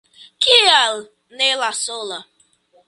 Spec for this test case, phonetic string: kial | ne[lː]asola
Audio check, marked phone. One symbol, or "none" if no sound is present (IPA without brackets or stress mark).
l